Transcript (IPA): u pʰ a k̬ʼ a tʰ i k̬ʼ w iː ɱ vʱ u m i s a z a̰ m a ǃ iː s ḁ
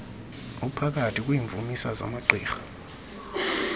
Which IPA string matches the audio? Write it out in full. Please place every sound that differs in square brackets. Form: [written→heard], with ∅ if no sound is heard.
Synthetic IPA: u pʰ a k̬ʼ a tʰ i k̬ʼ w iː ɱ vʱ u m i s a z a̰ m a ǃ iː [s→x] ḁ